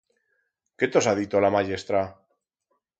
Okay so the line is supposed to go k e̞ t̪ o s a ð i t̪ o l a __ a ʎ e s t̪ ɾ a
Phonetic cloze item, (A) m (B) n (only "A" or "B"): A